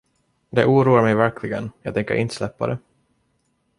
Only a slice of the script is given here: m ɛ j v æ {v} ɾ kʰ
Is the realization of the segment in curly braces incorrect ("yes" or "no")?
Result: yes